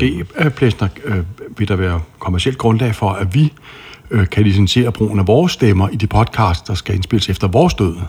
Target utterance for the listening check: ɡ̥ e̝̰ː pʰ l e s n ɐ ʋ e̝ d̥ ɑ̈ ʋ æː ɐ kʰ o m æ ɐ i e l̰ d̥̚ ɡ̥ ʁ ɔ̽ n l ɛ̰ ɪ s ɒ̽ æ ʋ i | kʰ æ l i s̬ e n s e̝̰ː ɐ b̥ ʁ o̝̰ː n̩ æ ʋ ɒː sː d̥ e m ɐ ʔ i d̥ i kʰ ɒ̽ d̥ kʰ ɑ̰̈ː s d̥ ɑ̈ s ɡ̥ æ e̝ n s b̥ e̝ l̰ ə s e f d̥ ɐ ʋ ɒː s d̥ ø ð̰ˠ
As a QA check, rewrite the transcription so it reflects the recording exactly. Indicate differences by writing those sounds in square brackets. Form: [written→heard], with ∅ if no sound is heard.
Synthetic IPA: ɡ̥ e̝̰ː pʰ l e s n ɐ ʋ e̝ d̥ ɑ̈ ʋ æː ɐ kʰ o m æ ɐ i e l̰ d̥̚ ɡ̥ ʁ ɔ̽ n l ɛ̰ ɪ [s→f] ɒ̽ æ ʋ i | kʰ æ l i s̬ e n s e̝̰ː ɐ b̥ ʁ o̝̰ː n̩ æ ʋ ɒː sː d̥ e m ɐ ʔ i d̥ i [kʰ→pʰ] ɒ̽ d̥ kʰ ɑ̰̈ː s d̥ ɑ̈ s ɡ̥ æ e̝ n s b̥ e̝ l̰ ə s e f d̥ ɐ ʋ ɒː s d̥ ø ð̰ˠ